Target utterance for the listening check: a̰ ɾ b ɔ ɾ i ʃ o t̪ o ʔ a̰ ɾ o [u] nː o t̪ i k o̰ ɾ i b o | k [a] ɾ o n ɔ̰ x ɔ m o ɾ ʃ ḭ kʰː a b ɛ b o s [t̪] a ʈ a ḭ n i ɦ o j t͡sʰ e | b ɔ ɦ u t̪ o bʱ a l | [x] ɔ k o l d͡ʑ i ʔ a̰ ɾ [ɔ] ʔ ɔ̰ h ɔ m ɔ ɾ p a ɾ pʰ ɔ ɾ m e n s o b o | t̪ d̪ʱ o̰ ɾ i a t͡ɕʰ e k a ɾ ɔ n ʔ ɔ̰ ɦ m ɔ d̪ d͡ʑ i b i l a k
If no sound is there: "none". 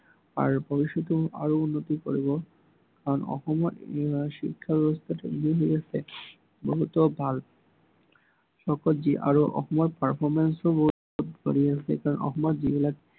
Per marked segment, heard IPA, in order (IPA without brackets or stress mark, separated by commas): u, a, t̪ʰ, ʃ, o